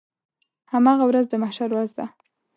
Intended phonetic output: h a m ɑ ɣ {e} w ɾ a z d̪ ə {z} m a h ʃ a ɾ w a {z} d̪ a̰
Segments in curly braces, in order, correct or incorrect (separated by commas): incorrect, incorrect, correct